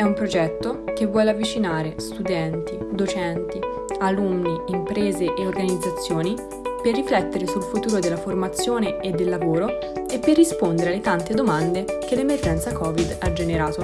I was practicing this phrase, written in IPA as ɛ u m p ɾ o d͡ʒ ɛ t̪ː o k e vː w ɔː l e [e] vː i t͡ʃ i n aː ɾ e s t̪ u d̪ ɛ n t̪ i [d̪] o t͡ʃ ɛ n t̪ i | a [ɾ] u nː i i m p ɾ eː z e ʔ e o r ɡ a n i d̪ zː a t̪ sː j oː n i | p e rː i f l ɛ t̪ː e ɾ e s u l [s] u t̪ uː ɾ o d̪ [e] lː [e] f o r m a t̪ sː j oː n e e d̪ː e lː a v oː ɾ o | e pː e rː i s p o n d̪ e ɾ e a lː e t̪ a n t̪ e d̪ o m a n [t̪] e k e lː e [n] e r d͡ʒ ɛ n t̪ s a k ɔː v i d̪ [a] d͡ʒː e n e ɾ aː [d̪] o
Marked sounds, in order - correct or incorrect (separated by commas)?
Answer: incorrect, correct, incorrect, incorrect, correct, incorrect, incorrect, incorrect, correct, incorrect